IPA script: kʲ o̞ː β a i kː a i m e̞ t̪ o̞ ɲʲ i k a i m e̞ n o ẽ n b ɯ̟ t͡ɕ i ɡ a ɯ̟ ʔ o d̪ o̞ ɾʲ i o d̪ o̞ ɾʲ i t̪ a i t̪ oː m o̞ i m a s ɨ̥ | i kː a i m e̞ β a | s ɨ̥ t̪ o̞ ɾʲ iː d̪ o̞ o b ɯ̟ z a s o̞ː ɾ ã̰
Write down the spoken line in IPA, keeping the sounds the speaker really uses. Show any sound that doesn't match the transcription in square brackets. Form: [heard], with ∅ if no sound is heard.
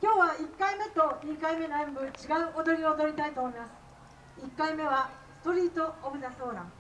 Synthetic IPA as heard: kʲ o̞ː β a i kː a i m e̞ t̪ o̞ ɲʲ i k a i m e̞ n o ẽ [m] b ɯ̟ t͡ɕ i ɡ a ɯ̟ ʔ o d̪ o̞ ɾʲ i o d̪ o̞ ɾʲ i t̪ a i t̪ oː m o̞ i m a s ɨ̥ | i kː a i m e̞ β a | s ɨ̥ t̪ o̞ ɾʲ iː [t̪] o̞ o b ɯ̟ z a s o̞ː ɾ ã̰